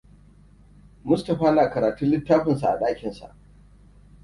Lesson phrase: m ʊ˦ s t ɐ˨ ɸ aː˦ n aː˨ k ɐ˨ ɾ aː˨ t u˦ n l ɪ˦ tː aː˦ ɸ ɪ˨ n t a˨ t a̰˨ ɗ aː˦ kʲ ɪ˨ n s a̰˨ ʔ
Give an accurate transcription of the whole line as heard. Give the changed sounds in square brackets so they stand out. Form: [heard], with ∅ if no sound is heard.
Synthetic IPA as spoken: m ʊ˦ s t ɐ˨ ɸ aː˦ n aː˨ k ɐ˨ ɾ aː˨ t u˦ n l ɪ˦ tː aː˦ ɸ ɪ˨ n [s] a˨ [ʔ] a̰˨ ɗ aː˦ kʲ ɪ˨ n s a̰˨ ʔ